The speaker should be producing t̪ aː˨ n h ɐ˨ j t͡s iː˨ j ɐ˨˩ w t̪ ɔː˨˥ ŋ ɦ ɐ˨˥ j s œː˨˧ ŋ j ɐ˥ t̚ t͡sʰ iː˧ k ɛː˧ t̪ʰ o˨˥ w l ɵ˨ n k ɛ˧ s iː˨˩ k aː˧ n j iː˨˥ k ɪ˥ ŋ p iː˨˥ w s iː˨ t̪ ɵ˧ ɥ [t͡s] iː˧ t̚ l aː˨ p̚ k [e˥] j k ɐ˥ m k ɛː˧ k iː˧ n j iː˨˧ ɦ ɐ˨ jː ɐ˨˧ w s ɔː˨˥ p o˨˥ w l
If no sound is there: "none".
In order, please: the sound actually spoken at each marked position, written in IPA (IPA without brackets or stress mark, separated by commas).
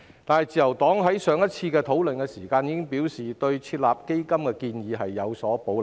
t͡sʰ, e˥